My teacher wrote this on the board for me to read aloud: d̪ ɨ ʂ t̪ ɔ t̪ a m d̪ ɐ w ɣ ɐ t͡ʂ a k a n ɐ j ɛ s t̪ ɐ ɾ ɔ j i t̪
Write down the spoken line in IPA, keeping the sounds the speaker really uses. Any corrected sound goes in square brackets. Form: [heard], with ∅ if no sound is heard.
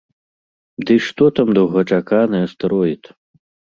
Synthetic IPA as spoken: d̪ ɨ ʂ t̪ ɔ t̪ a m d̪ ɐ w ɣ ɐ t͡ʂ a k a n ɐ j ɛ s t̪ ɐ ɾ ɔ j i t̪